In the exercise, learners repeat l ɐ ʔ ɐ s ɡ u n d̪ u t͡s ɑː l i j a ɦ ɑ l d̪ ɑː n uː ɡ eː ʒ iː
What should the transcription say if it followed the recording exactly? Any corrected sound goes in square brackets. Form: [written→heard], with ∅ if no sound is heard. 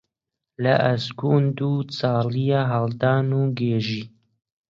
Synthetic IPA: l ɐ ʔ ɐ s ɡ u n d̪ u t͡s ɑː l i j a ɦ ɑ l d̪ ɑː n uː ɡ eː ʒ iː